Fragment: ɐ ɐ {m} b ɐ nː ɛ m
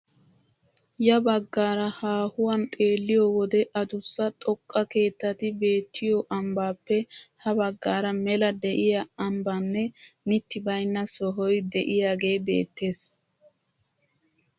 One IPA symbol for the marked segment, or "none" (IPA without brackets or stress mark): m